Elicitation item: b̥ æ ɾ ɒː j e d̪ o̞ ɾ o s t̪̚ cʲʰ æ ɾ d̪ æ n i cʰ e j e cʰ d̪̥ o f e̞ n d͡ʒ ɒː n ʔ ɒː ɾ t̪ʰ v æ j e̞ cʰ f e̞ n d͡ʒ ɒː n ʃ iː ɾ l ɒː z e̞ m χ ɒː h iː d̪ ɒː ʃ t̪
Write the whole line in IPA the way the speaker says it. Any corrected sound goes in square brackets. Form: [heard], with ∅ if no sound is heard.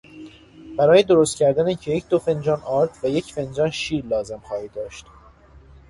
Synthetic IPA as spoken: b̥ æ ɾ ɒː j e d̪ o̞ ɾ o s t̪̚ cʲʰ æ ɾ d̪ æ n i cʰ e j e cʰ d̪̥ o f e̞ n d͡ʒ ɒː n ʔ ɒː ɾ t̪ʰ v æ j e̞ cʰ f e̞ n d͡ʒ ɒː n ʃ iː ɾ l ɒː z e̞ m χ ɒː h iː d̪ ɒː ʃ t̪